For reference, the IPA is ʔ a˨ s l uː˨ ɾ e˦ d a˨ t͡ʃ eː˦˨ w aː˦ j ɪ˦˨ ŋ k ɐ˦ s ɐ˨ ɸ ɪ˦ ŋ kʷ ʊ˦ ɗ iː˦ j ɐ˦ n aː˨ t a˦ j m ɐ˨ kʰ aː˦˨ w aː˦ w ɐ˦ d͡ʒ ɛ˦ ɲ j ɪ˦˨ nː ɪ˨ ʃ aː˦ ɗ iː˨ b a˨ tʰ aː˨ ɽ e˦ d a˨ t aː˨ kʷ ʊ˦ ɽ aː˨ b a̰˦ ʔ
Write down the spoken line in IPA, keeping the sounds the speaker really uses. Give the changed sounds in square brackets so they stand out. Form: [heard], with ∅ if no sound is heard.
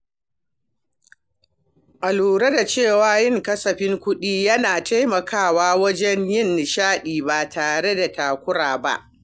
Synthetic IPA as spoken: ʔ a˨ [∅] l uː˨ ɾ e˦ d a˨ t͡ʃ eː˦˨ w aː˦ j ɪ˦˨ ŋ k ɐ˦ s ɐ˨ ɸ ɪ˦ ŋ kʷ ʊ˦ ɗ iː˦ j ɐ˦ n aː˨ t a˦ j m ɐ˨ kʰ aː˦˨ w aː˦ w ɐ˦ d͡ʒ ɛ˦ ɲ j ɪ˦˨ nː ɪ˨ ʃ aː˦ ɗ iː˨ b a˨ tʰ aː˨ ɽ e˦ d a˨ t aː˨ kʷ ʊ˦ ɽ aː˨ b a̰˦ ʔ

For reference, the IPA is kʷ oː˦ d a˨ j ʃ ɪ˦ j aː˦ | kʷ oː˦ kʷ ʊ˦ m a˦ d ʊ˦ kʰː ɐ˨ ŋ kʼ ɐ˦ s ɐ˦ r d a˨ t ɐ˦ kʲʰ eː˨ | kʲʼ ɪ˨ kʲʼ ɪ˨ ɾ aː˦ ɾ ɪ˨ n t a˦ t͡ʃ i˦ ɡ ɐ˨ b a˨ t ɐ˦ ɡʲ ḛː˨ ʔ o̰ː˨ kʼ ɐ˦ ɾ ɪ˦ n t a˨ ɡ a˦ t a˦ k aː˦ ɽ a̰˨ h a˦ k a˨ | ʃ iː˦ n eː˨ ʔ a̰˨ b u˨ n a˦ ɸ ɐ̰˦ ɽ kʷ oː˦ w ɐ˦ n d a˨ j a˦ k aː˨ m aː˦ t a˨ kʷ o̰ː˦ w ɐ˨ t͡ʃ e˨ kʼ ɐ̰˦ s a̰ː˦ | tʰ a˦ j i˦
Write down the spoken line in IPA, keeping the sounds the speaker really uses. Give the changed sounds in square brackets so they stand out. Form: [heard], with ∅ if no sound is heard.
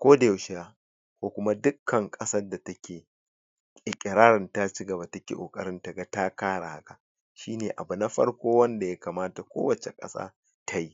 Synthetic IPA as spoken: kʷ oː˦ d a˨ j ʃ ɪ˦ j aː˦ | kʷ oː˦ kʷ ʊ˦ m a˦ d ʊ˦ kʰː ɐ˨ ŋ kʼ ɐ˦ s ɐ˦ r d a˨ t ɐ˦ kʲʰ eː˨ | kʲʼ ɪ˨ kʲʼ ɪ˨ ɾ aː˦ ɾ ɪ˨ n t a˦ t͡ʃ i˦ ɡ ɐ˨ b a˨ t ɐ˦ [kʲ] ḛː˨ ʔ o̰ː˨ kʼ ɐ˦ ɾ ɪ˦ n t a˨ ɡ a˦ t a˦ k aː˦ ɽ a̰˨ h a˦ k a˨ | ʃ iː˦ n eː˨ ʔ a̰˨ b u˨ n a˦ ɸ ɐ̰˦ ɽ kʷ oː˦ w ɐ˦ n d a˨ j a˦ k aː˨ m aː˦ t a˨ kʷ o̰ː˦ w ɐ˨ t͡ʃ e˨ kʼ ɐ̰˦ s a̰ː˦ | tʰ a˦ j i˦

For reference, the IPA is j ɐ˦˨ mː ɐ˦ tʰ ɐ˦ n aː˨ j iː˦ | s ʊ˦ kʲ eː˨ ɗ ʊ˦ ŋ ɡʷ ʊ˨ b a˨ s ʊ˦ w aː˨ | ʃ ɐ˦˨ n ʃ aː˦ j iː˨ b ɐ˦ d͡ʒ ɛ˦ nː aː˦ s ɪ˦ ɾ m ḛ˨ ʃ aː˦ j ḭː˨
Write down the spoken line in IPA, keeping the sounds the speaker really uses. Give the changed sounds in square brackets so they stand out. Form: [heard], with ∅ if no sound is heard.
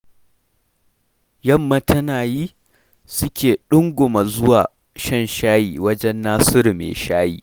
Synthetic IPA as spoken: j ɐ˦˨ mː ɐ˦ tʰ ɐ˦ n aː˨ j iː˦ | s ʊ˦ kʲ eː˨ ɗ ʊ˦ ŋ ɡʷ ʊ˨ [m] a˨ [z] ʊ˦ w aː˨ | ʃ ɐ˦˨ n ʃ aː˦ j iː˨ [w] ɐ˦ d͡ʒ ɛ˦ nː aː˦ s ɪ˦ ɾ m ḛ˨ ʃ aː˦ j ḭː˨

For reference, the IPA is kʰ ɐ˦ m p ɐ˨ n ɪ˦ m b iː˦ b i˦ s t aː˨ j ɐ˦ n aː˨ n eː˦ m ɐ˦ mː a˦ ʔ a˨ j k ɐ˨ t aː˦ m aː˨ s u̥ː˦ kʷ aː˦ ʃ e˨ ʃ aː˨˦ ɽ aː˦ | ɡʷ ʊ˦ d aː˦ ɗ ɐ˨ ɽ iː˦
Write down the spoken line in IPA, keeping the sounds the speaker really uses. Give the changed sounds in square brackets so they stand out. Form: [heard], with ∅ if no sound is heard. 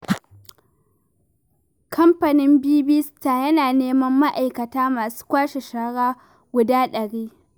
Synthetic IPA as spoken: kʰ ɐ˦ m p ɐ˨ n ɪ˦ m b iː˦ b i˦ s t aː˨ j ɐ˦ n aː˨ n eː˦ m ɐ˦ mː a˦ ʔ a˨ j k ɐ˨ t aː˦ m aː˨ s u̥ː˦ kʷ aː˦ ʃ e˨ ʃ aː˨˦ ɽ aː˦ | ɡʷ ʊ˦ d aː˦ ɗ ɐ˨ ɽ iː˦

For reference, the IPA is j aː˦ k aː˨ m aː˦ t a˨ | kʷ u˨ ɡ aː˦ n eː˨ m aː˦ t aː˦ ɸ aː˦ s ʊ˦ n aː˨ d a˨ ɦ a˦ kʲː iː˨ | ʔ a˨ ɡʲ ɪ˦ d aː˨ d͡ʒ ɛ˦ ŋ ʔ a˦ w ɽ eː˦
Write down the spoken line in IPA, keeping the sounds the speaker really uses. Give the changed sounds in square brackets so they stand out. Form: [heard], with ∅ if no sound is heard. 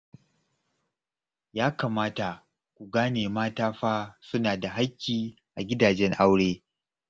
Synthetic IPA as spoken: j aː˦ k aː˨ m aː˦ t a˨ | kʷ u˨ ɡ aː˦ n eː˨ m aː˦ t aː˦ ɸ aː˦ s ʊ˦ n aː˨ d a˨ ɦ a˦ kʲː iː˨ | ʔ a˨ ɡʲ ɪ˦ d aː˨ d͡ʒ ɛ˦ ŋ ʔ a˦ w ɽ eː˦

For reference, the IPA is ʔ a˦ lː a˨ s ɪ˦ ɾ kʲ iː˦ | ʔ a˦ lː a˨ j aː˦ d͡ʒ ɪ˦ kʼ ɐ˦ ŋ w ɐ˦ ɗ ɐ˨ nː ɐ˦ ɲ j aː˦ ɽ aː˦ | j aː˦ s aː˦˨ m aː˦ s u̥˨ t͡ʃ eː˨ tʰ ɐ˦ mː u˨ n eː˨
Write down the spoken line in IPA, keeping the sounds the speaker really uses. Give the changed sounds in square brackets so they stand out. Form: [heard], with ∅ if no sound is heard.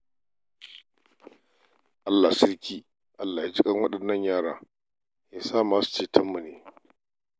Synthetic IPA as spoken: ʔ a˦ lː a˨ s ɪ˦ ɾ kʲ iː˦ | ʔ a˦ lː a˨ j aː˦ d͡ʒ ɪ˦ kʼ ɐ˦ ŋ w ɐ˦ ɗ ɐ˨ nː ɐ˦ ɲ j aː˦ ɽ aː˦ | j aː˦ s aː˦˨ m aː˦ s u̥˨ t͡ʃ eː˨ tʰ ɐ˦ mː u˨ n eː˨

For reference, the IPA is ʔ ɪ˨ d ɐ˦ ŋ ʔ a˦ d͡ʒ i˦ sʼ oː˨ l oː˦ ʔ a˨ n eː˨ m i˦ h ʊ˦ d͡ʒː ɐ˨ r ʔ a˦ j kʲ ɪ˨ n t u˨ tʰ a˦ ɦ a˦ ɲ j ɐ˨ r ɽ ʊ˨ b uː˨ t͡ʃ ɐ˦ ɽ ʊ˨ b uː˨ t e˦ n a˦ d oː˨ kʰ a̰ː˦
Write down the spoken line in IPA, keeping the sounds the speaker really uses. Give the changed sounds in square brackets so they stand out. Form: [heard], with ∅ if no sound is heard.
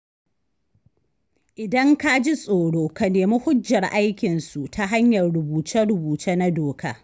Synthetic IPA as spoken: ʔ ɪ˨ d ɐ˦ ŋ [k] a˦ d͡ʒ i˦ sʼ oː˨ [ɽ] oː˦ [k] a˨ n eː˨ m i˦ h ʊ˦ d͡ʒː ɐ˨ r ʔ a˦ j kʲ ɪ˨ n [s] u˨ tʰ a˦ ɦ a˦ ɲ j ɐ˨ r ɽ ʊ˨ b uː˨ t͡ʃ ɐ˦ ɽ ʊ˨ b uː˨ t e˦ n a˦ d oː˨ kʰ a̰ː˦

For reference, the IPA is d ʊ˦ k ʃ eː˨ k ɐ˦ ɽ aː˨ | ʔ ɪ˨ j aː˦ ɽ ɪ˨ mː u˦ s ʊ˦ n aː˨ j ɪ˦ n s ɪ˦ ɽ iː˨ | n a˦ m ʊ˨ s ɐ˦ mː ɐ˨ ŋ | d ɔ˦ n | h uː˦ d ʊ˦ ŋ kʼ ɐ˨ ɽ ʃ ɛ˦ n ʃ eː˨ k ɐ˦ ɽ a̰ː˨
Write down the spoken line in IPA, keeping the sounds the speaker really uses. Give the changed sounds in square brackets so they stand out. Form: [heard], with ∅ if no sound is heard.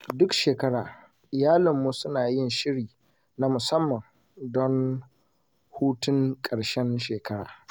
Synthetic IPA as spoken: d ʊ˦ k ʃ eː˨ k ɐ˦ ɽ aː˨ | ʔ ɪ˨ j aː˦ [l] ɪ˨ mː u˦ s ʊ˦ n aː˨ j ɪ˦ n [ʃ] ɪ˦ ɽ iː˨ | n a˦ m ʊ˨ s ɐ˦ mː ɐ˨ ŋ | d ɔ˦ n | h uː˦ [t] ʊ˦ ŋ kʼ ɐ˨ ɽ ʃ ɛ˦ n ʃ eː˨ k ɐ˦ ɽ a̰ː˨

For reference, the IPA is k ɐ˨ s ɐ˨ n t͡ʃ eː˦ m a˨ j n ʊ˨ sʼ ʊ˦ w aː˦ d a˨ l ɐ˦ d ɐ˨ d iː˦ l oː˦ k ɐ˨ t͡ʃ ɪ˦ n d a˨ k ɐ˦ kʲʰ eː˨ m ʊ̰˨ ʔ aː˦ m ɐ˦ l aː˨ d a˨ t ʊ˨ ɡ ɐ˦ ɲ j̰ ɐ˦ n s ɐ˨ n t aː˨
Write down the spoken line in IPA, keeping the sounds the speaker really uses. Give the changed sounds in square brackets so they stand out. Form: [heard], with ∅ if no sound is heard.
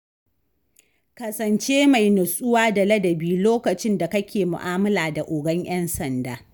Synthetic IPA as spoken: k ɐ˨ s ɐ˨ n t͡ʃ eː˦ m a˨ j n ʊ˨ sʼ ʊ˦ w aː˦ d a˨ l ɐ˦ d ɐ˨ [b] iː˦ l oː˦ k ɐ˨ t͡ʃ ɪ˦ n d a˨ k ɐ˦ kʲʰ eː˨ m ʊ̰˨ ʔ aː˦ m ɐ˦ l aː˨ d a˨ [ʔ] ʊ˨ ɡ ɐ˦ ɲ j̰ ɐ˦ n s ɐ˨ n [d] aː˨

